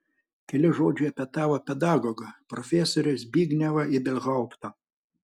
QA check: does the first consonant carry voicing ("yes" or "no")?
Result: no